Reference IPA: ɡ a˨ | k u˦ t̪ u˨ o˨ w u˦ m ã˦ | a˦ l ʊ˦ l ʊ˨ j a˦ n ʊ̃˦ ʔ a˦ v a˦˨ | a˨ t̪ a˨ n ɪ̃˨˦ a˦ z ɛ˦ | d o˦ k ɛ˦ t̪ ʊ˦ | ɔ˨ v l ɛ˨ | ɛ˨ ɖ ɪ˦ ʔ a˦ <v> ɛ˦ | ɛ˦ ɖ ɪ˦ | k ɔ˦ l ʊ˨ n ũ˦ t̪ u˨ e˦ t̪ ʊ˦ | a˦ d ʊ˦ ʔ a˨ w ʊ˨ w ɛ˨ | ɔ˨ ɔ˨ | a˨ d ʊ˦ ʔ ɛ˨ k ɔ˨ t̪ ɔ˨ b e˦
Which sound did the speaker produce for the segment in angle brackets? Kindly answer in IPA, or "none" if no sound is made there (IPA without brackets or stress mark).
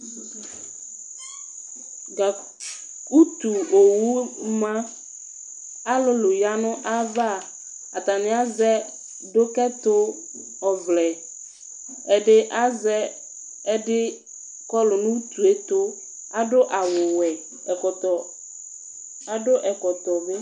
z